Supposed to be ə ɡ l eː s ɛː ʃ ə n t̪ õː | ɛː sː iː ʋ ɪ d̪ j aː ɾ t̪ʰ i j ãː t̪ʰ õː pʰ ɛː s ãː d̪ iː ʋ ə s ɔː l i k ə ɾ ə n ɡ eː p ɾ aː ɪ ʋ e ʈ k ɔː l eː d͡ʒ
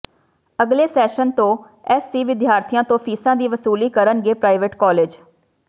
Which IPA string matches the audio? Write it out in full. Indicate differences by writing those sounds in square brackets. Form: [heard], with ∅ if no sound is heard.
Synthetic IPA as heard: ə ɡ l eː s ɛː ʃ ə n t̪ õː | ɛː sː iː ʋ ɪ d̪ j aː ɾ t̪ʰ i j ãː [t̪] õː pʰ [iː] s ãː d̪ iː ʋ ə s [uː] l [iː] k ə ɾ ə n ɡ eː p ɾ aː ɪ ʋ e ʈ k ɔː l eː d͡ʒ